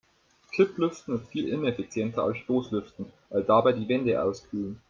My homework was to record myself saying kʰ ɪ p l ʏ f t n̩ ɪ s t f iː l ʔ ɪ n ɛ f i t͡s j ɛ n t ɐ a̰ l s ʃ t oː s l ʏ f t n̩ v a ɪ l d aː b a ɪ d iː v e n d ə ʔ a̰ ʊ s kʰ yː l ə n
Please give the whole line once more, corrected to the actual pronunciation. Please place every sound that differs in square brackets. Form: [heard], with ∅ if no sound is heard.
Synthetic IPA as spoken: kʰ ɪ p l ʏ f t n̩ ɪ s t f iː l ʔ ɪ n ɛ f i t͡s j ɛ n t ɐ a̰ l s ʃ t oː s l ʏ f t n̩ v a ɪ l d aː b a ɪ d iː v [ɛ] n d ə ʔ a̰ ʊ s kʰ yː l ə n